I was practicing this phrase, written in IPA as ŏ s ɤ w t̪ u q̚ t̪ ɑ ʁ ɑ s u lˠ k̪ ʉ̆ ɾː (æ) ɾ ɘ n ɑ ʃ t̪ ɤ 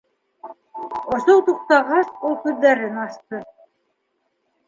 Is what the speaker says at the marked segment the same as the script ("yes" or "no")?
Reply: yes